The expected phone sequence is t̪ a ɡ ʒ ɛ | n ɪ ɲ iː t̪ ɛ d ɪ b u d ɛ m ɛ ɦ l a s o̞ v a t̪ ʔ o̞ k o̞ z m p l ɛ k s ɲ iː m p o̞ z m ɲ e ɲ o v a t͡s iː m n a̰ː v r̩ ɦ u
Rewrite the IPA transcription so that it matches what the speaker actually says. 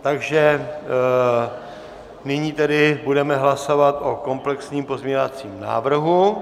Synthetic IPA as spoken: t̪ a ɡ ʒ ɛ | n ɪ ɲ iː t̪ ɛ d ɪ b u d ɛ m ɛ ɦ l a s o̞ v a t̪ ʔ o̞ k o̞ m p l ɛ k s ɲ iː m p o̞ z m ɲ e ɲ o v a t͡s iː m n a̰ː v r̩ ɦ u